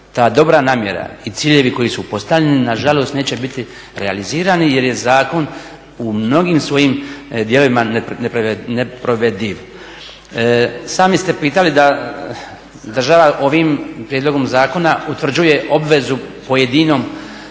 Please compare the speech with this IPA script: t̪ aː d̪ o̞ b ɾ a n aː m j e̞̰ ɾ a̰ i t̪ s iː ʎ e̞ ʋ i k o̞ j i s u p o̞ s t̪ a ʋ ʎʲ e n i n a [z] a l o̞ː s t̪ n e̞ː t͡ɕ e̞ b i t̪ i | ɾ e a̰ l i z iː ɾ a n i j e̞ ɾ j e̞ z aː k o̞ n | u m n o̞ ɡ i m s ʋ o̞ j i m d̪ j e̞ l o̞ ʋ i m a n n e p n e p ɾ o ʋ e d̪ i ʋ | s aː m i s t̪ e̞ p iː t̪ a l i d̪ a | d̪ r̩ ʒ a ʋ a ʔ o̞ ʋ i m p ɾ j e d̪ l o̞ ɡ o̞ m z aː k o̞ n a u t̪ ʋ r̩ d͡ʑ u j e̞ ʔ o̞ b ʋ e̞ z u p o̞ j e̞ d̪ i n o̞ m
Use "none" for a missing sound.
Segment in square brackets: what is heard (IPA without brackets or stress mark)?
ʒ